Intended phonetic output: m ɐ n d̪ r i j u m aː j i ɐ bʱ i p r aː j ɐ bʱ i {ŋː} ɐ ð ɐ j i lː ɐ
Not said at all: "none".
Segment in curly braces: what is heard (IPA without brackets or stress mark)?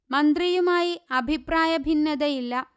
nː